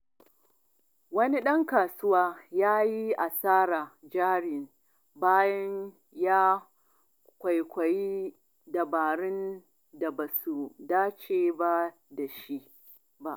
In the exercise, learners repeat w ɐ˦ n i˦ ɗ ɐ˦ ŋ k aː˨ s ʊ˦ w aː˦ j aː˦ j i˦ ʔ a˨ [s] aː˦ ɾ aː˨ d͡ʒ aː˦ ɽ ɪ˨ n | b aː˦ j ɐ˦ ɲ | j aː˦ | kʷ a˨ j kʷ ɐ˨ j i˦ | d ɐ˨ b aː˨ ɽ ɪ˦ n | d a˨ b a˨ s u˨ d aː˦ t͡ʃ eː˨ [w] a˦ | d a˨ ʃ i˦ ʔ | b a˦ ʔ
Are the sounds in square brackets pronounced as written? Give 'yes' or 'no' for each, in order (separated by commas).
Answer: yes, no